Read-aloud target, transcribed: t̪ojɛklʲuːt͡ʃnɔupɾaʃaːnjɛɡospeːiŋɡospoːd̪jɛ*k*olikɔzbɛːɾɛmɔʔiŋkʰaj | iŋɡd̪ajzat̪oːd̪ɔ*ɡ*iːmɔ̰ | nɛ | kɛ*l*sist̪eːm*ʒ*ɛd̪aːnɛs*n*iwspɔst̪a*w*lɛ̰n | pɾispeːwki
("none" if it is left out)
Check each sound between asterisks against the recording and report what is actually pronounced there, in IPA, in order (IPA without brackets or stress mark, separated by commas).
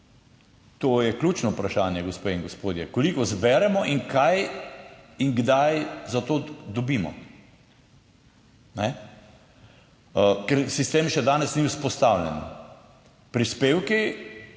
k, b, ɾ, ʃ, n, w